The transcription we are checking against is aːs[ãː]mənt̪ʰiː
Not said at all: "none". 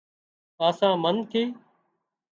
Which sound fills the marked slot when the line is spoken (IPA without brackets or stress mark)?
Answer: ãː